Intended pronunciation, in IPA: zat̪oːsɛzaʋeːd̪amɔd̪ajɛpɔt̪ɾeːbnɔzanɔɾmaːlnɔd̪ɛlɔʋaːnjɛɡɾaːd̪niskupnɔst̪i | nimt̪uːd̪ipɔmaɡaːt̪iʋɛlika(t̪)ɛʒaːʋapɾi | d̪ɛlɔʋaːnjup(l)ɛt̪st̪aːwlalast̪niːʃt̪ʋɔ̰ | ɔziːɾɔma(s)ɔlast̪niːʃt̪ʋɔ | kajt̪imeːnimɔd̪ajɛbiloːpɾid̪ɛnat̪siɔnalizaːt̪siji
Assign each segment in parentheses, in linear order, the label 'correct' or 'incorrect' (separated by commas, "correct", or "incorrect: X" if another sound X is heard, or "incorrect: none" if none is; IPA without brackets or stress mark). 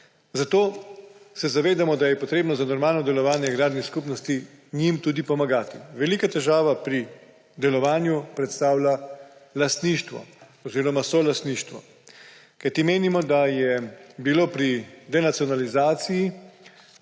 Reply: correct, incorrect: ɾ, correct